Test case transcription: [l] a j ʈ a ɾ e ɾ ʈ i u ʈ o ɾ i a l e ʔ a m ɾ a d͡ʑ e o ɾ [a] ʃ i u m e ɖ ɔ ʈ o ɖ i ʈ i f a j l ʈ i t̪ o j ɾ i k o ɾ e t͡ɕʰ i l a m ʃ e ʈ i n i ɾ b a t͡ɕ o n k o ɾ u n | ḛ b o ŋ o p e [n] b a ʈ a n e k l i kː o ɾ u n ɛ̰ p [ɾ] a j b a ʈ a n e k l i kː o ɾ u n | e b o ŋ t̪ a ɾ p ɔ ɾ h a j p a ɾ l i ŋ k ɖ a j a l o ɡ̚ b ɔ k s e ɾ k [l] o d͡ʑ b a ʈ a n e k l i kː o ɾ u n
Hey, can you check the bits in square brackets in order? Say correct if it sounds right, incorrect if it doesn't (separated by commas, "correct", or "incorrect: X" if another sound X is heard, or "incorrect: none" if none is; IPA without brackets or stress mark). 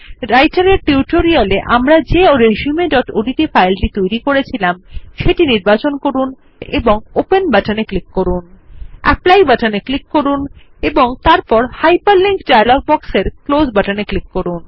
incorrect: ɾ, incorrect: e, correct, incorrect: l, correct